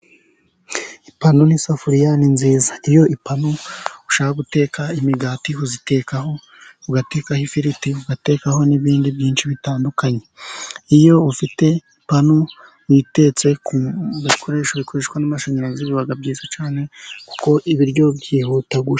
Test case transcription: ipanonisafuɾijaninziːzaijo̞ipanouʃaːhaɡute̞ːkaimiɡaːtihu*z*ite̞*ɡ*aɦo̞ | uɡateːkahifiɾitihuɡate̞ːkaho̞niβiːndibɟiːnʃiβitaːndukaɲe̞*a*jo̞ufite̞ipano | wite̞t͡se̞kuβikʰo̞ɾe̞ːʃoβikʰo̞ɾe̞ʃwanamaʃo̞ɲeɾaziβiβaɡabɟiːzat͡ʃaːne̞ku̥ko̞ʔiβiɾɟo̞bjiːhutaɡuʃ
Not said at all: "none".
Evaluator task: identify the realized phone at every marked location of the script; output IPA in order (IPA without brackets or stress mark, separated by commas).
z, k, i